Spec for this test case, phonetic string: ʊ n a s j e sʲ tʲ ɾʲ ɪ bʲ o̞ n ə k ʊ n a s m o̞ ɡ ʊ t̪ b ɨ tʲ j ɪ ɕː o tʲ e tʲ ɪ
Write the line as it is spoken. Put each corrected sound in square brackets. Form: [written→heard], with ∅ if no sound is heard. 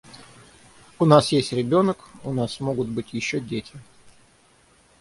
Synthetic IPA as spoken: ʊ n a s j e sʲ tʲ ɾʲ ɪ bʲ o̞ n ə k ʊ n a s m o̞ ɡ ʊ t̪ b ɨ tʲ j ɪ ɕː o [tʲ→dʲ] e tʲ ɪ